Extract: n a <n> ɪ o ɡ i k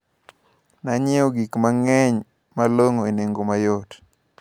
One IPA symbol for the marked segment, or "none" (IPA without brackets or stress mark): ɲ